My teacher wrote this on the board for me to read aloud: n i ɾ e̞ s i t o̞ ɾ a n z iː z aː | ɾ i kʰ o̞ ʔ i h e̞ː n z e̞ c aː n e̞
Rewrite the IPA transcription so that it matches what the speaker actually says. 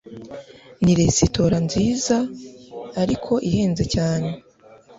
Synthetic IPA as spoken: n i ɾ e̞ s i t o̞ ɾ a n z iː z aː | ɾ i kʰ o̞ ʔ i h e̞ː n z e̞ c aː n e̞

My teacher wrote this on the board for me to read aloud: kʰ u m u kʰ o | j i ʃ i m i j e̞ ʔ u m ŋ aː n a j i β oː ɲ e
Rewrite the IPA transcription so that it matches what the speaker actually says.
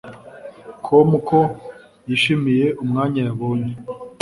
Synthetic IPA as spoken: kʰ o m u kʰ o | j i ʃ i m i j e̞ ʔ u m ŋ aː ɲ a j a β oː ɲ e

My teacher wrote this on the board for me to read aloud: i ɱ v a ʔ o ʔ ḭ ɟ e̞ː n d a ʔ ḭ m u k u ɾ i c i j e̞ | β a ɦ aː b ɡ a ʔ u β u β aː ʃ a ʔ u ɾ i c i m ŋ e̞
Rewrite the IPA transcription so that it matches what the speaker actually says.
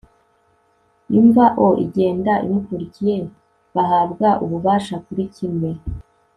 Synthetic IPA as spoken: i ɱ v a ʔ o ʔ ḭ ɟ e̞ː n d a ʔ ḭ m u k u ɾ i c i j e̞ | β a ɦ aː b ɡ a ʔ u β u β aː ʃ a k u ɾ i c i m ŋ e̞

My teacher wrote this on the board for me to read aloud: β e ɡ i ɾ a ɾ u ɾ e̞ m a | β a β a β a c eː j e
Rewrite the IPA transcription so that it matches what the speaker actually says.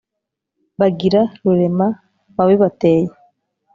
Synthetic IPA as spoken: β a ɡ i ɾ a ɾ u ɾ e̞ m a | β a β e β a t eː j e

